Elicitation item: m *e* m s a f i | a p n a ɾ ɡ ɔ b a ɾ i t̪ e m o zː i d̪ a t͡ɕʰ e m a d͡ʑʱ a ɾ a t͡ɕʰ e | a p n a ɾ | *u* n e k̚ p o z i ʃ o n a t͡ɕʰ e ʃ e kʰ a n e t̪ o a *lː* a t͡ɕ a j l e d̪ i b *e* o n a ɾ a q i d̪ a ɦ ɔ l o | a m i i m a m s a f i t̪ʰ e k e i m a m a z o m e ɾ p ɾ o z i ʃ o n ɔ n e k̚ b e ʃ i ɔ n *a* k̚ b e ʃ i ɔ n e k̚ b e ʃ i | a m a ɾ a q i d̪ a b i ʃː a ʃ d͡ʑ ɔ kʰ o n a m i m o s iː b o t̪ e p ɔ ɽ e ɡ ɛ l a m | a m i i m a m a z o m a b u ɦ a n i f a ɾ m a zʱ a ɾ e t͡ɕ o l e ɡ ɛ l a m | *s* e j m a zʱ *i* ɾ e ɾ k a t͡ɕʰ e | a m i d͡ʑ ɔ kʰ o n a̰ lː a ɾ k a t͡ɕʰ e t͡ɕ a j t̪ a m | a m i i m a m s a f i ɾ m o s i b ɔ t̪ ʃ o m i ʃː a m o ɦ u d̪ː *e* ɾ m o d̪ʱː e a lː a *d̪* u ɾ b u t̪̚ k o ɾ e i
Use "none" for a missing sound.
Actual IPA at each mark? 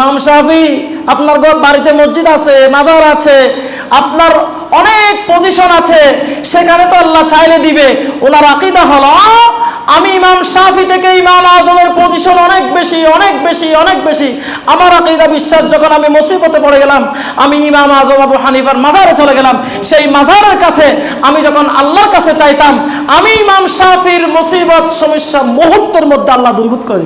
a, ɔ, lː, e, e, ʃ, a, e, d̪

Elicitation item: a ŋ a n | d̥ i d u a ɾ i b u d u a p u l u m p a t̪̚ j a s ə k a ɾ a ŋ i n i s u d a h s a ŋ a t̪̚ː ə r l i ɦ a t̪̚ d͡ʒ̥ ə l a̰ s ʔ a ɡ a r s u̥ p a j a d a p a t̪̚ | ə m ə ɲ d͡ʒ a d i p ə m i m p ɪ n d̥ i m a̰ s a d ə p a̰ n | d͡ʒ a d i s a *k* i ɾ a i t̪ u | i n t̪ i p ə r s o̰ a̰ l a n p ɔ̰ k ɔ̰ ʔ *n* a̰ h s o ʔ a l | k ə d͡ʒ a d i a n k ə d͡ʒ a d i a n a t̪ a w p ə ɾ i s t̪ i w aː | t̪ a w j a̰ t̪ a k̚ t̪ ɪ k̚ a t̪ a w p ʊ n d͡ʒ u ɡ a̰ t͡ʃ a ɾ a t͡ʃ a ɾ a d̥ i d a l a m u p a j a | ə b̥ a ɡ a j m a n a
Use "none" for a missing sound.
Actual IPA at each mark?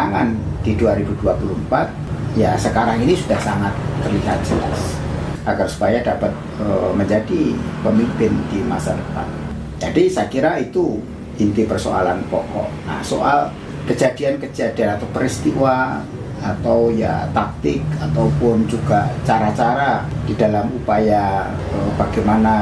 k, n

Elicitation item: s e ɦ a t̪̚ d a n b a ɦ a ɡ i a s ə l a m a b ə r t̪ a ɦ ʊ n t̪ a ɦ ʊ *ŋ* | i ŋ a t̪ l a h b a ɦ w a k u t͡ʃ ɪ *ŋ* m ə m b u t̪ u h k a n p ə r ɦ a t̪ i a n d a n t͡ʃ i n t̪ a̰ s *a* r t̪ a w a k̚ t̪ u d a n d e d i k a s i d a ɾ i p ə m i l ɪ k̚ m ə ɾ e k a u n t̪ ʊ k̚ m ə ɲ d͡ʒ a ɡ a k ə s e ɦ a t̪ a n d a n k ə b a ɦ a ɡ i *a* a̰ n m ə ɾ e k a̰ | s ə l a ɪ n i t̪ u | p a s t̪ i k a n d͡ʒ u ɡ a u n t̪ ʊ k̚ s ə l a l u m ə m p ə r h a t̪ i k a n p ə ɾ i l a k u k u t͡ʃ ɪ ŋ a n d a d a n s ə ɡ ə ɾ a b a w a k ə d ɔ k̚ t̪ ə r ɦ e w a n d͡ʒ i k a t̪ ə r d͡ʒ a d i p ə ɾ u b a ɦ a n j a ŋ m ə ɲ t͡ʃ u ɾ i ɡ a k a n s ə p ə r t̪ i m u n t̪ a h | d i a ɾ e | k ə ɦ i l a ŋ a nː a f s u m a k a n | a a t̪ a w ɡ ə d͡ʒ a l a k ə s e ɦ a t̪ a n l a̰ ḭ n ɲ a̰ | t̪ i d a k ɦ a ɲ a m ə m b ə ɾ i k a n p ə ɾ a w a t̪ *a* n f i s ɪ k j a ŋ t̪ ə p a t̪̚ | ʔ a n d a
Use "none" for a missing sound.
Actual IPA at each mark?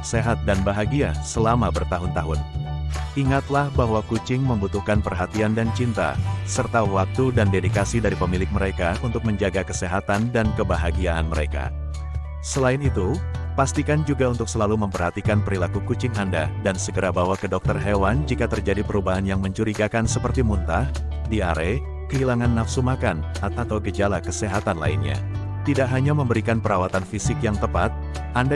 n, ŋ, ə, a, a

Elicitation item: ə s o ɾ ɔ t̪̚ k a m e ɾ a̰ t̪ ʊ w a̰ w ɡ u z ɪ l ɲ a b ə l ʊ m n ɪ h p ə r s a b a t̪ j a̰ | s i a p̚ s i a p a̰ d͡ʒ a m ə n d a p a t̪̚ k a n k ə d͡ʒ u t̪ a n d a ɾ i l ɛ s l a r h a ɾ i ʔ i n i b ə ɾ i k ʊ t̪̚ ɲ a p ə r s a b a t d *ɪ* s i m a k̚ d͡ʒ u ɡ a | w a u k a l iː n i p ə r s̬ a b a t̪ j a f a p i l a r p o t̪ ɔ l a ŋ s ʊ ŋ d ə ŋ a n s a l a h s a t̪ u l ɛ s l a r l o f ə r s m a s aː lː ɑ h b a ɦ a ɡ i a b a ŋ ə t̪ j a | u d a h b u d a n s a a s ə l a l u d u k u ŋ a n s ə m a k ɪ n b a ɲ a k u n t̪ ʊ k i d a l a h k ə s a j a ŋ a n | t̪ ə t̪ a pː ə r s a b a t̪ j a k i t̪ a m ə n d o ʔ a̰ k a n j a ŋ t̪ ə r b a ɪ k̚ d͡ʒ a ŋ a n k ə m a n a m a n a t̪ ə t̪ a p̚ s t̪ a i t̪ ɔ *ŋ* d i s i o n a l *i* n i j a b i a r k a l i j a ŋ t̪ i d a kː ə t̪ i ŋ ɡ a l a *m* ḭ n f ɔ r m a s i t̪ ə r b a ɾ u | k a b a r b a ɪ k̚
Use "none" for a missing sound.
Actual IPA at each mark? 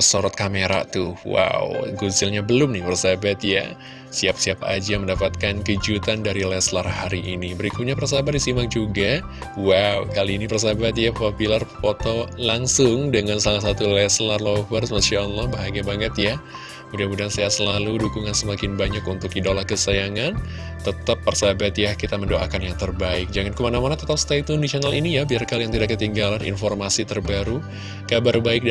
i, n, i, n

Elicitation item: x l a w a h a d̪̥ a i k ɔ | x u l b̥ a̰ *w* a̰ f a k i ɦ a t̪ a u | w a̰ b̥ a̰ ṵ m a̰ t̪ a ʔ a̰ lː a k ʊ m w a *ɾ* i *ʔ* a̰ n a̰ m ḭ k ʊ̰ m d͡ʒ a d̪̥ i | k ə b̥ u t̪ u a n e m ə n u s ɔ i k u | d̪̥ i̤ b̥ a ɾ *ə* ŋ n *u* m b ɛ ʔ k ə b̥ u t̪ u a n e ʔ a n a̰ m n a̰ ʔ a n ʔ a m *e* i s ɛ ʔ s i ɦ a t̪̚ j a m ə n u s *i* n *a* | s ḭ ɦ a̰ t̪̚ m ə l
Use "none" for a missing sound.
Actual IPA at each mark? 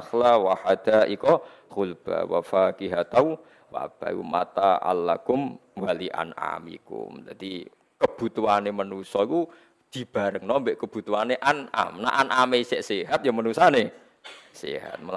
w, l, ʔ, ə, ɔ, e, a, e

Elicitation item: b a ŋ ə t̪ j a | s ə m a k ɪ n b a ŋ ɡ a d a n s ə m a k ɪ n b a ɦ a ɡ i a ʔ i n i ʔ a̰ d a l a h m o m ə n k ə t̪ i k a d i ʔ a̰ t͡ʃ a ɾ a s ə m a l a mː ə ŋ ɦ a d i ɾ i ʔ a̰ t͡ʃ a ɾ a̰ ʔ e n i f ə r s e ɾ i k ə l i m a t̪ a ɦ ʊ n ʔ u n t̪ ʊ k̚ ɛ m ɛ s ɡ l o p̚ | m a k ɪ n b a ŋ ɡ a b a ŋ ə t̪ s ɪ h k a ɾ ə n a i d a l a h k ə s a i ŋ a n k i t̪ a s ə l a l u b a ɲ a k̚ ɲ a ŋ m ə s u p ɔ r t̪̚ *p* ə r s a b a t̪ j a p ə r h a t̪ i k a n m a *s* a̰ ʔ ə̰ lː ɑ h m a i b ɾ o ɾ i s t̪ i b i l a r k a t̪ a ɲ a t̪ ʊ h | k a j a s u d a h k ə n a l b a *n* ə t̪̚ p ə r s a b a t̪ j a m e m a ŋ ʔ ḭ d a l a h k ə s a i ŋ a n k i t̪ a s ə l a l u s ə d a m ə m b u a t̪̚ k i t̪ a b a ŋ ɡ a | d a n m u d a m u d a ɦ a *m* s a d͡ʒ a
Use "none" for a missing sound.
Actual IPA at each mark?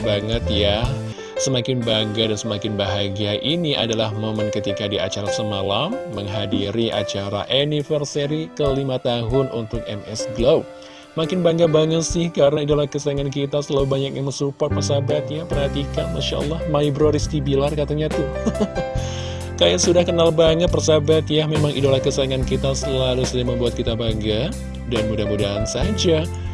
p, ʃ, ŋ, n

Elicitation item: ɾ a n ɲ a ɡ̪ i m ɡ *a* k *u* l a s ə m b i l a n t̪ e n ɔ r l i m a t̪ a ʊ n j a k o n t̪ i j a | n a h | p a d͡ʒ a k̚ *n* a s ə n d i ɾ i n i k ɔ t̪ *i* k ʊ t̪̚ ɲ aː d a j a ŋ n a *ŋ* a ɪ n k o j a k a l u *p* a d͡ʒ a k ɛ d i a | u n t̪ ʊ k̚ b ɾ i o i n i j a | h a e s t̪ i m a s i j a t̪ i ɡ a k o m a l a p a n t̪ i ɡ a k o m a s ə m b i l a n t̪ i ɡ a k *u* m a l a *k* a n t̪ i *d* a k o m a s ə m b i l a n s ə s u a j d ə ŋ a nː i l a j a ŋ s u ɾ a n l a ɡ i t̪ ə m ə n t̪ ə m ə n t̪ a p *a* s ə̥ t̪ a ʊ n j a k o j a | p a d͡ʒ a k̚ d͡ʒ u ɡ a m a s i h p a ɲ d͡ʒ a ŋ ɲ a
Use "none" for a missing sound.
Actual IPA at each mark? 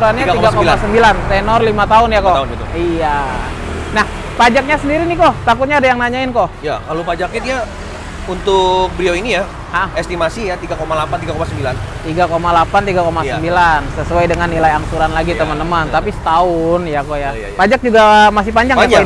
a, o, ɲ, a, ɲ, p, o, p, ɡ, i

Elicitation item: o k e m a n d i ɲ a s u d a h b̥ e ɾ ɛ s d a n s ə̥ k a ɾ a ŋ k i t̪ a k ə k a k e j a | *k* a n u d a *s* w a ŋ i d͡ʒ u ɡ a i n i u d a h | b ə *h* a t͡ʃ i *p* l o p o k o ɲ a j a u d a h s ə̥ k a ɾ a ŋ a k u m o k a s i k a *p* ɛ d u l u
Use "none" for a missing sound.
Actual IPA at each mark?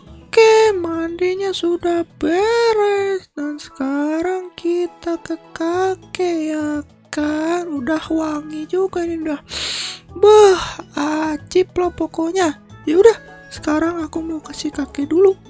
k, h, h, p, k

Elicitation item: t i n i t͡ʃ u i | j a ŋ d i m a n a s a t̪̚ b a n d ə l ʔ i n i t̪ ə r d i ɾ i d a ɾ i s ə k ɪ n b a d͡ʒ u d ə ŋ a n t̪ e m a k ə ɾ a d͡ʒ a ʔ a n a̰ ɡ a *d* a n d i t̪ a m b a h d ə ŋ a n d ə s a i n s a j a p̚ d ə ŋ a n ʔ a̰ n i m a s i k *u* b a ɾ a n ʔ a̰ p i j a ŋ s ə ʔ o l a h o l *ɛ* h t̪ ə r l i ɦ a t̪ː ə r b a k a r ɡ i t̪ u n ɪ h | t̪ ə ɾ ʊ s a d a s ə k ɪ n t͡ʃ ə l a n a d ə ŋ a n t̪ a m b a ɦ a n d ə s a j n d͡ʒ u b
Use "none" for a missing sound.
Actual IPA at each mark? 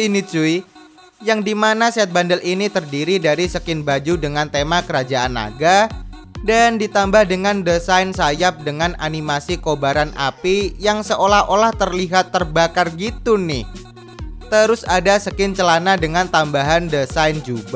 d, o, a

